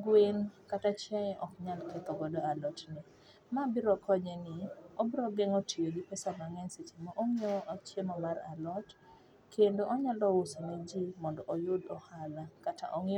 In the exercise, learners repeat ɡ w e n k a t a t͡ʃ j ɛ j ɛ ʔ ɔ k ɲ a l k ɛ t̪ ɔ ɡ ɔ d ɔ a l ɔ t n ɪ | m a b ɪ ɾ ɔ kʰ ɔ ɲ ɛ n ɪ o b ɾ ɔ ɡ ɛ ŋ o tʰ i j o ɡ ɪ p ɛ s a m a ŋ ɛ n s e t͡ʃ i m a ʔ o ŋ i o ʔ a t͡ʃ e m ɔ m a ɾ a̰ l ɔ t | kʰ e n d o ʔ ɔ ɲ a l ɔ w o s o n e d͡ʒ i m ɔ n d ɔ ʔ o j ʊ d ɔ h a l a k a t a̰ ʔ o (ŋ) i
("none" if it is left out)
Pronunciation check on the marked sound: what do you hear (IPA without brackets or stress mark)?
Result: ŋ